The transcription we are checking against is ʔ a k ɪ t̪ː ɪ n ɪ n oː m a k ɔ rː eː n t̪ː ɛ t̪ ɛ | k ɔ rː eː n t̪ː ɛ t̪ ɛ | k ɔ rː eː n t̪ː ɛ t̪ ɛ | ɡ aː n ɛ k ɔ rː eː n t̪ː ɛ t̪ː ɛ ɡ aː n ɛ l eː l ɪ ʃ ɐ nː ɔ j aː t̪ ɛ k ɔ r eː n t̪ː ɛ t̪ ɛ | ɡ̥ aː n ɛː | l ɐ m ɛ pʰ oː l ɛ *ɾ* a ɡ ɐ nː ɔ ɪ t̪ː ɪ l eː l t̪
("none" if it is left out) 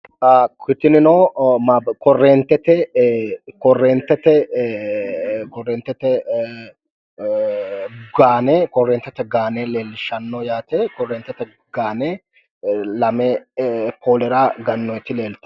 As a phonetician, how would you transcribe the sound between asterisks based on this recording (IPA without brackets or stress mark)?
ɾ